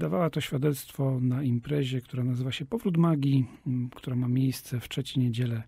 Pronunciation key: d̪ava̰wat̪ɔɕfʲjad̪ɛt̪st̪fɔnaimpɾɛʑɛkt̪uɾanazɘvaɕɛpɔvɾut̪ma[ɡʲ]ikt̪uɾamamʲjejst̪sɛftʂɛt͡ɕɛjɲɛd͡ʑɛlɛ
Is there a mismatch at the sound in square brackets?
no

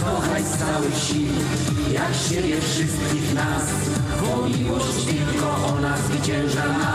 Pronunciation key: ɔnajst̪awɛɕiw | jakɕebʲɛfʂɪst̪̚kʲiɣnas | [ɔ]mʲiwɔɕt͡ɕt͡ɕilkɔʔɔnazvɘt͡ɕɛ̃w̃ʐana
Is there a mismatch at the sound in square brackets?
no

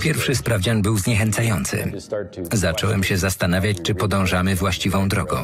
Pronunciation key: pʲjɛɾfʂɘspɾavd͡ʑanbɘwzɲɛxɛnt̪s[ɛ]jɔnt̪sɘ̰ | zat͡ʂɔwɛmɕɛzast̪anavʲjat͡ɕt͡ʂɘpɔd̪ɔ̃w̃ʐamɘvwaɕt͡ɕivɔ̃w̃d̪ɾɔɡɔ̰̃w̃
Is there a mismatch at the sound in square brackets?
yes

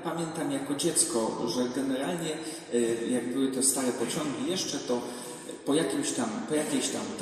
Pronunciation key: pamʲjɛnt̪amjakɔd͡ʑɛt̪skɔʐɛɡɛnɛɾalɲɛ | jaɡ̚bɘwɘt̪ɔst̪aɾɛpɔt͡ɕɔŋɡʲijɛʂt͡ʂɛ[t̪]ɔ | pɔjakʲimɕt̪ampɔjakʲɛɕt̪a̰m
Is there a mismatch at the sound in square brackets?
no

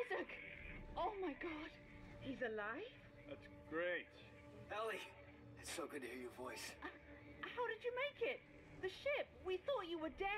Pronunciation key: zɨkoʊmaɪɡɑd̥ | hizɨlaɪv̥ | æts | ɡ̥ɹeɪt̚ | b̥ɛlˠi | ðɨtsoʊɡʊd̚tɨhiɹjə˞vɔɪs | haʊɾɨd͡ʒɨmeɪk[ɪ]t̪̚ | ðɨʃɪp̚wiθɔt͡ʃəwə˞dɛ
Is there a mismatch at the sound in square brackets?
no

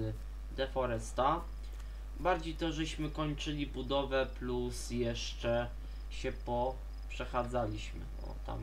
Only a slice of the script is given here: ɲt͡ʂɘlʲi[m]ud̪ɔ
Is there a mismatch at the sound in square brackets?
yes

